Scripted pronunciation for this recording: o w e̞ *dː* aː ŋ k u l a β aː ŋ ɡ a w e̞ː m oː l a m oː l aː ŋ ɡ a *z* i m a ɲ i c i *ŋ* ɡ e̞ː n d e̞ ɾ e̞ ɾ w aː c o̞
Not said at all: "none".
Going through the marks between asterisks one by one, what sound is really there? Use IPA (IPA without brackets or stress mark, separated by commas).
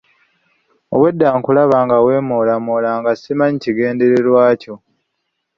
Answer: dː, s, none